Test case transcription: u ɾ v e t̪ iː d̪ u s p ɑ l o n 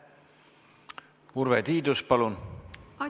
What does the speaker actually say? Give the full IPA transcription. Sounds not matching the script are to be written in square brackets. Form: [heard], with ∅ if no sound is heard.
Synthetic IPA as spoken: u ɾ v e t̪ iː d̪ u s p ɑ l [u] n